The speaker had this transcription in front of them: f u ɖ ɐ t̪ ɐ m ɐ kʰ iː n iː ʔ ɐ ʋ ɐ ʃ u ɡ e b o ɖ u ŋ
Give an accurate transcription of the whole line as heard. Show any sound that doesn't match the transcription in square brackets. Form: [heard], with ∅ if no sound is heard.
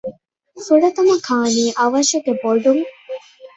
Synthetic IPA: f u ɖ ɐ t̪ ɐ m ɐ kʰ [aː] n iː ʔ ɐ ʋ ɐ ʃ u ɡ e b o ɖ u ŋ